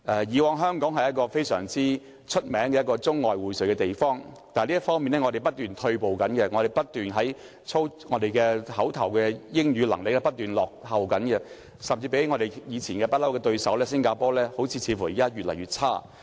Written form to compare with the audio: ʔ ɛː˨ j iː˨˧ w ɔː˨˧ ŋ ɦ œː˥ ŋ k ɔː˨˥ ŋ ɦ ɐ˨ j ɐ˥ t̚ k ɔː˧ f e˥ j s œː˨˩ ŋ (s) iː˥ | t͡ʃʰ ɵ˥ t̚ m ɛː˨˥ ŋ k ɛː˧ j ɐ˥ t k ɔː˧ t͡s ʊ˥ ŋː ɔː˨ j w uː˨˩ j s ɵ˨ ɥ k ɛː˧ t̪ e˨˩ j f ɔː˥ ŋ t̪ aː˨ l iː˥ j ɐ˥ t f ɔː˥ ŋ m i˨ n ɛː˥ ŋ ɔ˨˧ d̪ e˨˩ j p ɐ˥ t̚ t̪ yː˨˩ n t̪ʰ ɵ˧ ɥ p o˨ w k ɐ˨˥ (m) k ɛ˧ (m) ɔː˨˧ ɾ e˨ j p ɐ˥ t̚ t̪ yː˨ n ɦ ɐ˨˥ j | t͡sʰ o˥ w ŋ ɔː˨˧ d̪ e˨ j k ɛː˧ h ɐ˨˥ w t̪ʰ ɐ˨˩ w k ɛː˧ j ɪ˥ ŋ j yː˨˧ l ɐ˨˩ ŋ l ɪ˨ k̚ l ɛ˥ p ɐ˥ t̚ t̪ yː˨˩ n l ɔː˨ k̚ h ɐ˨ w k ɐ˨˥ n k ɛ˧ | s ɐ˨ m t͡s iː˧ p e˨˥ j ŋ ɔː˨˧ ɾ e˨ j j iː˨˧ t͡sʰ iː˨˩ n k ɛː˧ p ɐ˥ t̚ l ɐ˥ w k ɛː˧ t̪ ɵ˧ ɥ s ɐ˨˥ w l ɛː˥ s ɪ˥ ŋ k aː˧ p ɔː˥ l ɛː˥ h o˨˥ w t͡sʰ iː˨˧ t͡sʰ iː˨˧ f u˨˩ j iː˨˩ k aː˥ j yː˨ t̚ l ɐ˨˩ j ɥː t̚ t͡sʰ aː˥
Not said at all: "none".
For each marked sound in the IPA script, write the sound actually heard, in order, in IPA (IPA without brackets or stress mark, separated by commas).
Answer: t͡s, n, ŋ